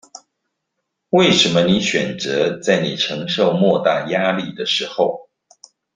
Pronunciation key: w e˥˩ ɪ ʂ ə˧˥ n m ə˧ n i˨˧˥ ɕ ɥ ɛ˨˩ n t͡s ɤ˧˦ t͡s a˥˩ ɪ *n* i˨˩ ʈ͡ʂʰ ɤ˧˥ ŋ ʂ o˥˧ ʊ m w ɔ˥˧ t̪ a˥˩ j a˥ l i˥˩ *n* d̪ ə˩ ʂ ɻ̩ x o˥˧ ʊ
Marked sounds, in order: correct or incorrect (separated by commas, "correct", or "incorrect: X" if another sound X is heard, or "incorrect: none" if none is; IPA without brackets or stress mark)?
correct, incorrect: none